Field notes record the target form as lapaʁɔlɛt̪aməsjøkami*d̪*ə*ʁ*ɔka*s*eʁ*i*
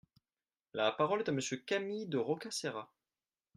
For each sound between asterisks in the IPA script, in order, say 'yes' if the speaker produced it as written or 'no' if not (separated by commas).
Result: yes, yes, yes, no